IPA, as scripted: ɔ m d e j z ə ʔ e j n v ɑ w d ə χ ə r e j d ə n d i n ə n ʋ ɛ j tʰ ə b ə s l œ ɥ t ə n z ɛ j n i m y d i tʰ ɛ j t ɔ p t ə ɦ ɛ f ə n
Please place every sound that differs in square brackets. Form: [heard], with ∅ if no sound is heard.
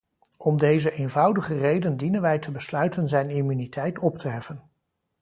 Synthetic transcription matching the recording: ɔ m d e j z ə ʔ e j n v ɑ w d ə χ ə r e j d ə n d i n ə n ʋ ɛ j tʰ ə b ə s l œ ɥ t ə n z ɛ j n i m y [n] i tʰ ɛ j t ɔ p t ə ɦ ɛ f ə n